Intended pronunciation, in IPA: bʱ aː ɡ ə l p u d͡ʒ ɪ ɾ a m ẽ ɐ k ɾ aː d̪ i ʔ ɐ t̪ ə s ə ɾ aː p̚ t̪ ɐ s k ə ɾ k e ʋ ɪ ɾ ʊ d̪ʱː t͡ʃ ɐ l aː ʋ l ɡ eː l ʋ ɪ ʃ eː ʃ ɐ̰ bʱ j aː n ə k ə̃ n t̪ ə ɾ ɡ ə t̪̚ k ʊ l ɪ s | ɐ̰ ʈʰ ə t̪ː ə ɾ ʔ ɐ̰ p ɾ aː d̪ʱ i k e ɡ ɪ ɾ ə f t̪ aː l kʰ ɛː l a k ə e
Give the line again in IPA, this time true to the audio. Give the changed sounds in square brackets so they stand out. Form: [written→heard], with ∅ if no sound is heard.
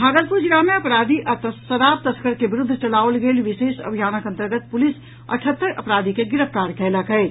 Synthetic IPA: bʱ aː ɡ ə l p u d͡ʒ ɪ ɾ a m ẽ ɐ [k→p] ɾ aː d̪ i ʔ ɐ t̪ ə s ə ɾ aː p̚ t̪ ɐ s k ə ɾ k e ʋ ɪ ɾ ʊ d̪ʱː t͡ʃ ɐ l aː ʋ l ɡ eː l ʋ ɪ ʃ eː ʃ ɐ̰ bʱ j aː n ə k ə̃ n t̪ ə ɾ ɡ ə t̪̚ [k→p] ʊ l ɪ s | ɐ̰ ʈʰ ə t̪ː ə ɾ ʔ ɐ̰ p ɾ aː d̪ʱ i k e ɡ ɪ ɾ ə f t̪ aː [l→ɾ] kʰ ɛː l a k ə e